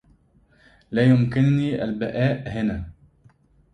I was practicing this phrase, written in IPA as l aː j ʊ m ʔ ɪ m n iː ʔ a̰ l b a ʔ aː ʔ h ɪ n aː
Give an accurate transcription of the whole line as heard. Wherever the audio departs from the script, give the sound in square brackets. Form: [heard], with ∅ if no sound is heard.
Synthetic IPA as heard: l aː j ʊ m [k] ɪ [n] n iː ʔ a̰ l b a ʔ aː ʔ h ɪ n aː